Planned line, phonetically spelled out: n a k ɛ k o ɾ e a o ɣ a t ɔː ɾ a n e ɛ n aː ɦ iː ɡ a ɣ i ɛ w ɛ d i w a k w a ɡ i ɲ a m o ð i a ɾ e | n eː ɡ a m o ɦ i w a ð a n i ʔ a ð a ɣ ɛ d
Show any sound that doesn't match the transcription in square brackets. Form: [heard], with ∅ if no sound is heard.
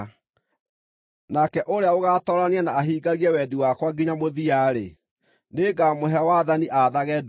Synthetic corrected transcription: n a k ɛ [ʔ] o ɾ e a o ɣ a t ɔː ɾ a n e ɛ n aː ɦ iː ɡ a ɣ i ɛ w ɛ d i w a k w a ɡ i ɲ a m o ð i a ɾ e | n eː ɡ a m o ɦ [ɛ] w a ð a n i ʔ a ð a ɣ ɛ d